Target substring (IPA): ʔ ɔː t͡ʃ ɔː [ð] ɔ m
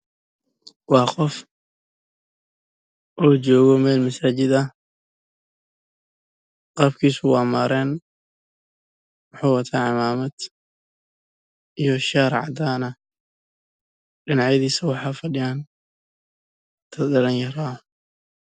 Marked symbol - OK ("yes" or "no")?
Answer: no